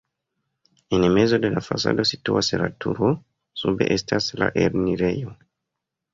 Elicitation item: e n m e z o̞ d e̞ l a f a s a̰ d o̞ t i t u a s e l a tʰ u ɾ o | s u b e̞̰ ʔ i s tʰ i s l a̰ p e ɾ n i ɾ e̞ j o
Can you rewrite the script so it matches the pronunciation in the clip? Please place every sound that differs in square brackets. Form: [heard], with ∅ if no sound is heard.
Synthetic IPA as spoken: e n m e z o̞ d e̞ l a f a s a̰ d o̞ [s] i t u a s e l a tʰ u ɾ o | s u b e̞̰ ʔ [e] s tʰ [a] s l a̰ [ʔ] e ɾ n i ɾ e̞ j o